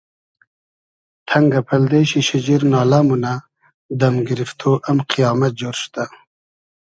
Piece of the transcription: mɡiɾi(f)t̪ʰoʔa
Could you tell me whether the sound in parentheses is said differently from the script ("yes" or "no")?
no